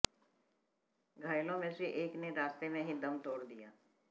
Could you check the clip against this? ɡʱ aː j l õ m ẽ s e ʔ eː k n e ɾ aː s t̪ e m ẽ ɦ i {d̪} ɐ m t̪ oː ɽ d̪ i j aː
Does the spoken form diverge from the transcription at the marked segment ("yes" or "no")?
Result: no